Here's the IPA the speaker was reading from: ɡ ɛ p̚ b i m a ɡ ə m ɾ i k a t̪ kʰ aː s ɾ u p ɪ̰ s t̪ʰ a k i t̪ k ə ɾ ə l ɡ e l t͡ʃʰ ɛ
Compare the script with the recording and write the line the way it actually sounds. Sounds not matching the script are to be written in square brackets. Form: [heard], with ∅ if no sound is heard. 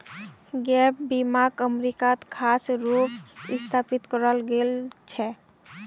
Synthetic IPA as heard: ɡ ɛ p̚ b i m a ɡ ə m ɾ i k a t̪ kʰ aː s ɾ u p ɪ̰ s t̪ʰ a [p] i t̪ k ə ɾ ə l ɡ e l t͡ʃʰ ɛ